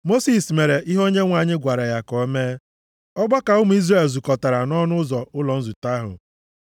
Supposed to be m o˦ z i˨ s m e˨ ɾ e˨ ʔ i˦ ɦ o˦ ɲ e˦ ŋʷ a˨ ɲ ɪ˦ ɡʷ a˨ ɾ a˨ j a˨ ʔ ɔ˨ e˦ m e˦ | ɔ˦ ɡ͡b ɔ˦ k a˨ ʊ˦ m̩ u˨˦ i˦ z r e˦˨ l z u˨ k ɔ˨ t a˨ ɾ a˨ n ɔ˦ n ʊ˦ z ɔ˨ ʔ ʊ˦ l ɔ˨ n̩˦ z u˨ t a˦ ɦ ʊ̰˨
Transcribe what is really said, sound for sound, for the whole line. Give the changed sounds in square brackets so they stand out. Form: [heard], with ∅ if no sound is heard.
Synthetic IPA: m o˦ [s] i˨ s m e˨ ɾ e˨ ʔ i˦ ɦ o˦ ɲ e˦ ŋʷ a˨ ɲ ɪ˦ ɡʷ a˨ ɾ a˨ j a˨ [k] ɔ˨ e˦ m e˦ | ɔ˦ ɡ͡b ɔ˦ k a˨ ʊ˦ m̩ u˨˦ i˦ z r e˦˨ l z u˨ k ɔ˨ t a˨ ɾ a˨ n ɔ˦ n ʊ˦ z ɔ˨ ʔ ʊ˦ l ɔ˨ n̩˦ z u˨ t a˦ ɦ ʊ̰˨